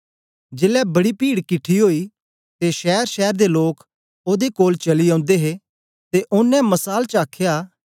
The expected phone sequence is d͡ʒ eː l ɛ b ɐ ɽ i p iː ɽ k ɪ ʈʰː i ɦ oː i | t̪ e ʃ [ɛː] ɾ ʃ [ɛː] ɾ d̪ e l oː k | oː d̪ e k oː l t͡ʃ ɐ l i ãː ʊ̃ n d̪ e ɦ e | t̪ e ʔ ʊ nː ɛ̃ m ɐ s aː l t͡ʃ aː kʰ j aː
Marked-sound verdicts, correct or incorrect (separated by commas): correct, correct